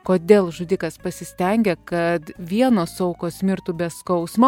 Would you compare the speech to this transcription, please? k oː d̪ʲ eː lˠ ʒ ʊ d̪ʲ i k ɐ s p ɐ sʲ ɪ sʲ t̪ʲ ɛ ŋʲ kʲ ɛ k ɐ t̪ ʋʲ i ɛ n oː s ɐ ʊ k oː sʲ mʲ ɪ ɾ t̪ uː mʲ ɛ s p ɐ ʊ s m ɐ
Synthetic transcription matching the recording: k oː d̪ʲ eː lˠ ʒ ʊ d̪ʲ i k ɐ s p ɐ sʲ ɪ sʲ t̪ʲ ɛ ŋʲ ɡʲ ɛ k ɐ t̪ ʋʲ i ɛ n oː s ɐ ʊ k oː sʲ mʲ ɪ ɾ t̪ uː bʲ ɛ s k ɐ ʊ s m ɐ